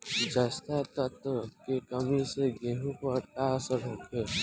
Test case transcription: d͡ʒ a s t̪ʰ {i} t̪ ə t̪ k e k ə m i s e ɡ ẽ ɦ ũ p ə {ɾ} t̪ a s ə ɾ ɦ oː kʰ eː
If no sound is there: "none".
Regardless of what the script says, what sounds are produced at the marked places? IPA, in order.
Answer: a, ɾ

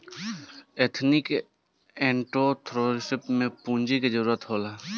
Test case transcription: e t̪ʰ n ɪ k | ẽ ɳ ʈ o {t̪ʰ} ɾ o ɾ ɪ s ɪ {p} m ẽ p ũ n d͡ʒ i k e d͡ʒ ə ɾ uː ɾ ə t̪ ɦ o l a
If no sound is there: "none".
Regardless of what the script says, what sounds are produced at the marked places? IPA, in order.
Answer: t̪ʰ, p

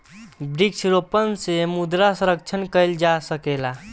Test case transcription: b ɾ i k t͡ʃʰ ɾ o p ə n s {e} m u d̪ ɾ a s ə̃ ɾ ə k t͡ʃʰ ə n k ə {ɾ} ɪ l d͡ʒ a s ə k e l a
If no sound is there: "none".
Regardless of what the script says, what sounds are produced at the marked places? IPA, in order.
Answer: e, none

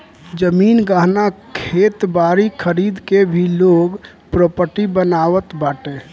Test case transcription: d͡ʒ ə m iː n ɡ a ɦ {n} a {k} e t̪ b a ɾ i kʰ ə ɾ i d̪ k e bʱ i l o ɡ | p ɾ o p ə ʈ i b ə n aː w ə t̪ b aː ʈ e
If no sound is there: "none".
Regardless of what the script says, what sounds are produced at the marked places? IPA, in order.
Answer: n, kʰ

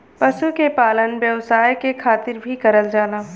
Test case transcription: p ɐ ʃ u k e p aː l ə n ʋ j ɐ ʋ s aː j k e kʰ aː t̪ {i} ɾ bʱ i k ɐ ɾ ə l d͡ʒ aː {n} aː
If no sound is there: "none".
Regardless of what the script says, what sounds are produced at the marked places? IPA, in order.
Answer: ɪ, n

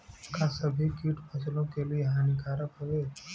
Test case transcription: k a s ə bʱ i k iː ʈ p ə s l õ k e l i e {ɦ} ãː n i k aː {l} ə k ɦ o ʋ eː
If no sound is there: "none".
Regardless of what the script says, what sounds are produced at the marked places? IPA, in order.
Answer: ɦ, ɾ

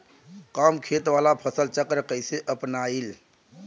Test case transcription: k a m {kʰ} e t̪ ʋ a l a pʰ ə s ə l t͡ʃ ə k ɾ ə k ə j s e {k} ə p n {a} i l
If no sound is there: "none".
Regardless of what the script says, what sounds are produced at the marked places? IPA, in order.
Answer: kʰ, ʔ, a

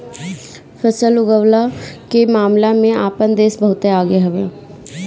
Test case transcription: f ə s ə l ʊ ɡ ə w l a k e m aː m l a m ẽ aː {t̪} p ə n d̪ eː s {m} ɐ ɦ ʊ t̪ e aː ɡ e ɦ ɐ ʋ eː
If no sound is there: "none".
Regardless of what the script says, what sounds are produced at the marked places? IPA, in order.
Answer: none, b

